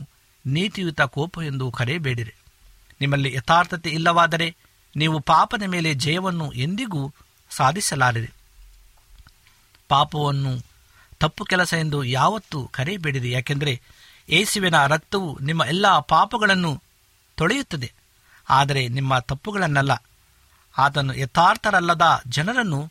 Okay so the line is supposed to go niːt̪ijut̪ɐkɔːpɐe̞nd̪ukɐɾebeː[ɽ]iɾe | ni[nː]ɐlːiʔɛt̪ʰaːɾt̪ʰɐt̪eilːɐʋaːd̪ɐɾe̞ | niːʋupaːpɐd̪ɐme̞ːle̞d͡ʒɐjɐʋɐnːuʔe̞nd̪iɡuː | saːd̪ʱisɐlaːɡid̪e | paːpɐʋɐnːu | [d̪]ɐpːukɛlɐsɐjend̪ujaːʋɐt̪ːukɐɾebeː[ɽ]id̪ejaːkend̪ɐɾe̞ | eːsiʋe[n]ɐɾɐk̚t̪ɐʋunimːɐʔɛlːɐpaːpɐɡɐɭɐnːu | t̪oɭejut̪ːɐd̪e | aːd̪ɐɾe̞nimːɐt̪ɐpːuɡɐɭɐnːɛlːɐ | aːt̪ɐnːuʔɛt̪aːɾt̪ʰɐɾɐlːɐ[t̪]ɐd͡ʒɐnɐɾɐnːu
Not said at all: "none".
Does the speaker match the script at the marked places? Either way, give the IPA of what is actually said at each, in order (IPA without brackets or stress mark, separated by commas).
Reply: ɽ, mː, t̪, ɽ, n, d̪